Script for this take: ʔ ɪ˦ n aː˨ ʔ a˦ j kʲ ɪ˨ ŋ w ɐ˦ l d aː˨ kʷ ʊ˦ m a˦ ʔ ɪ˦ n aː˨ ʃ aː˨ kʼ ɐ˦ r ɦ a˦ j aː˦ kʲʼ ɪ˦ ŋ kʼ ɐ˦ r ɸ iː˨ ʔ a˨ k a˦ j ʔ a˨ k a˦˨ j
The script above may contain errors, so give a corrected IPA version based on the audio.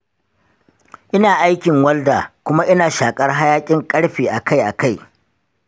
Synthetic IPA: ʔ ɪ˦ n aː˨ ʔ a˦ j kʲ ɪ˨ ŋ w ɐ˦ l d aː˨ kʷ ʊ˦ m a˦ ʔ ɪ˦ n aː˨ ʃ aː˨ kʼ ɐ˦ r ɦ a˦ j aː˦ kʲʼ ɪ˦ ŋ kʼ ɐ˦ ɽ ɸ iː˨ ʔ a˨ k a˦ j ʔ a˨ k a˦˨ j